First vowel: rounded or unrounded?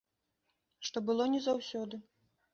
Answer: rounded